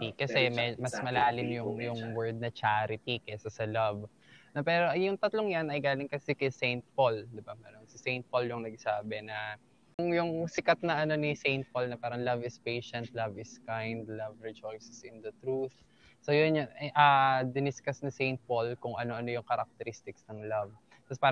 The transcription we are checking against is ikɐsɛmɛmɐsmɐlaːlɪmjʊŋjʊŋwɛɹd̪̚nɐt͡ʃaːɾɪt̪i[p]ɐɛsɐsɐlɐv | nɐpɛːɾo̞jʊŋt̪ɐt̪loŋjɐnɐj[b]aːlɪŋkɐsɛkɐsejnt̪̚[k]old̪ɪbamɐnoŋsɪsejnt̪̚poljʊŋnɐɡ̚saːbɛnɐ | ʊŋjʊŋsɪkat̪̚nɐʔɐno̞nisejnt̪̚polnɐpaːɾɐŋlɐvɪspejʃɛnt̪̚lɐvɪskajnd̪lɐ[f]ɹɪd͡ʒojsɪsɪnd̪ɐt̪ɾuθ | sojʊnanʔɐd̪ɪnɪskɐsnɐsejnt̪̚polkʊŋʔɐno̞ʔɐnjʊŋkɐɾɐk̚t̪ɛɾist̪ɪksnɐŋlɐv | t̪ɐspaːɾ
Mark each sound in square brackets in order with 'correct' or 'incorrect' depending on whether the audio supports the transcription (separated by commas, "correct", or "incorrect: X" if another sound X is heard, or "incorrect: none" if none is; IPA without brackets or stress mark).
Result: incorrect: k, incorrect: ɡ, incorrect: p, incorrect: v